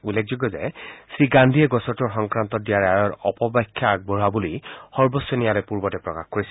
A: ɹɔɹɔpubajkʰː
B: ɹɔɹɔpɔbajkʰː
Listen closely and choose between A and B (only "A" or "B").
B